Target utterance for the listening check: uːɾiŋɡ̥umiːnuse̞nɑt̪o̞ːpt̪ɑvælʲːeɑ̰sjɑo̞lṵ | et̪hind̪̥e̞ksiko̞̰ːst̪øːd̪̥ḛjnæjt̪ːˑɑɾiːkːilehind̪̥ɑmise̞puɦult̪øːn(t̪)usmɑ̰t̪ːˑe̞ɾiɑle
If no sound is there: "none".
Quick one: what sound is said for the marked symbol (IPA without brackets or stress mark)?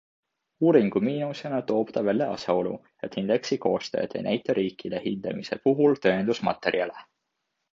d̪